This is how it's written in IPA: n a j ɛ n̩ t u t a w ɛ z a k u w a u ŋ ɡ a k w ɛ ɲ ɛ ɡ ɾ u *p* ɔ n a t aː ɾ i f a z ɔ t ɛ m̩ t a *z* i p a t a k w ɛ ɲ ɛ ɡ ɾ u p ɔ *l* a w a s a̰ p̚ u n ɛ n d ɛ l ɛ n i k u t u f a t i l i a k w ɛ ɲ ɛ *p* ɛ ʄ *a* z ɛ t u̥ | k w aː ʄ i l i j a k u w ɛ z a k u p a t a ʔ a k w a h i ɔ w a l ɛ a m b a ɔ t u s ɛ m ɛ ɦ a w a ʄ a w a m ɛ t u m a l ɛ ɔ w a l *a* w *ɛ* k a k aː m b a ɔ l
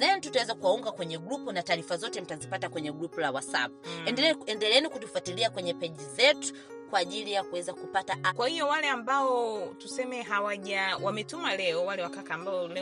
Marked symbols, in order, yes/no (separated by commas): yes, yes, yes, yes, no, no, no